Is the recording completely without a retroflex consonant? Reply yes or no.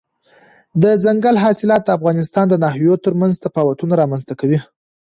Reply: yes